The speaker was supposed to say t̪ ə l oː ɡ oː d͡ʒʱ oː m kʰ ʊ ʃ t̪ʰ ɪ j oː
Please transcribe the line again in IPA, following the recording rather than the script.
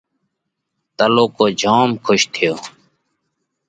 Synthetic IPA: t̪ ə l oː k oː d͡ʒʱ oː m kʰ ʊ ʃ t̪ʰ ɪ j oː